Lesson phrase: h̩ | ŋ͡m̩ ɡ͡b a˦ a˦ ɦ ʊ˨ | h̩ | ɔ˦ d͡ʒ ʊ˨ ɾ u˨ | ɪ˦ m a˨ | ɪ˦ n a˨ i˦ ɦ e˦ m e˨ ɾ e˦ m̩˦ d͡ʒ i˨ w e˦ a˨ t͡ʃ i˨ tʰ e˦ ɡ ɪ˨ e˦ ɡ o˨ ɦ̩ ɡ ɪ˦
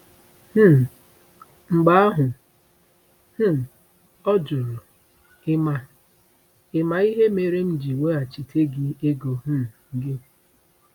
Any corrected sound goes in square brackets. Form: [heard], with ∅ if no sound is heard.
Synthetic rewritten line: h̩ | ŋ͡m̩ ɡ͡b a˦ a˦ ɦ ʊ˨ | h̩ | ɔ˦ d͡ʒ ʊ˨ ɾ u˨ | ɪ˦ m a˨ | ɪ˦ [m] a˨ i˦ ɦ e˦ m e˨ ɾ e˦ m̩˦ d͡ʒ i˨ w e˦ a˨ t͡ʃ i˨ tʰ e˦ ɡ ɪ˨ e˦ ɡ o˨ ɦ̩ ɡ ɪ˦